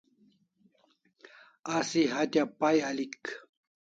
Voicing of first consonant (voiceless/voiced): voiceless